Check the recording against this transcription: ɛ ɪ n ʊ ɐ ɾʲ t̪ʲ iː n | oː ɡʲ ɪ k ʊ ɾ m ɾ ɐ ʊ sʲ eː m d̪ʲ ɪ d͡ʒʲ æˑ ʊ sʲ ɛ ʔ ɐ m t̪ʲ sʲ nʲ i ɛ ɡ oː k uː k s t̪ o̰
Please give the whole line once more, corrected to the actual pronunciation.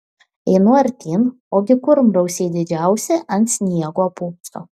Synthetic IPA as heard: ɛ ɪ n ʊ ɐ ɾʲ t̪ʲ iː n | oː ɡʲ ɪ k ʊ ɾ m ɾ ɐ ʊ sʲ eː d̪ʲ ɪ d͡ʒʲ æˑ ʊ sʲ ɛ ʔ ɐ n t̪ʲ sʲ nʲ i ɛ ɡ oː p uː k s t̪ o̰